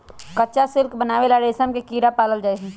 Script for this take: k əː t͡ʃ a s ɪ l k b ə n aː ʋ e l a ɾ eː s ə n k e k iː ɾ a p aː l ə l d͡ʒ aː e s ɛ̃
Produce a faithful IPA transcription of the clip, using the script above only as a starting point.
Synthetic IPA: k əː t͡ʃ a s ɪ l k b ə n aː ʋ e l a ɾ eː s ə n k e k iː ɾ a p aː l ə l d͡ʒ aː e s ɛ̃